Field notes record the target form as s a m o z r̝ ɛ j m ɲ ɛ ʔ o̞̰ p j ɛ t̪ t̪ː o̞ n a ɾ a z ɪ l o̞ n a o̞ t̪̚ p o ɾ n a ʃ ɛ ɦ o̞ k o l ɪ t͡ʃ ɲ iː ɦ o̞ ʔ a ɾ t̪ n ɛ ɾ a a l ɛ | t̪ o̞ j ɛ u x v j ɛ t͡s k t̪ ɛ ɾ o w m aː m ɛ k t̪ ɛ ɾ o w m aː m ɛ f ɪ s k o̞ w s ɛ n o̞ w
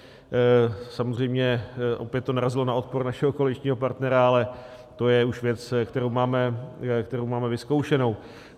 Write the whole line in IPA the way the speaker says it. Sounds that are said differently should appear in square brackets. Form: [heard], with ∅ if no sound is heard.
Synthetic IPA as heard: s a m o z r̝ ɛ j m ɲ ɛ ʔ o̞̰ p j ɛ t̪ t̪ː o̞ n a ɾ a z ɪ l o̞ n a o̞ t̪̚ p o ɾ n a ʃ ɛ ɦ o̞ k o l ɪ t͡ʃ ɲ iː ɦ o̞ [p] a ɾ t̪ n ɛ ɾ a a l ɛ | t̪ o̞ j ɛ u [ʃ] v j ɛ t͡s k t̪ ɛ ɾ o w m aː m ɛ k t̪ ɛ ɾ o w m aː m ɛ [v] ɪ s k o̞ w [ʃ] ɛ n o̞ w